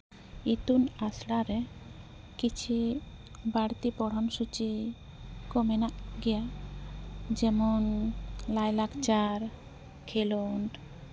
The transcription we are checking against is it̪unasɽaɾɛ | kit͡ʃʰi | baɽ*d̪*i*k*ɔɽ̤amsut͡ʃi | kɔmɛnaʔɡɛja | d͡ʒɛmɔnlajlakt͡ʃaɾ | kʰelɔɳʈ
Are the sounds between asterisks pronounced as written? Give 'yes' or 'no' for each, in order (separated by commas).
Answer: no, no